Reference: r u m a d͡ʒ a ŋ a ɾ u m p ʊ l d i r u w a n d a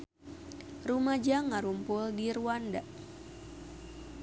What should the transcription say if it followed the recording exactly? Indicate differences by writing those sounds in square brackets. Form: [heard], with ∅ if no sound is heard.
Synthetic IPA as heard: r u m a d͡ʒ a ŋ a ɾ u m p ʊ l d i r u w a n d a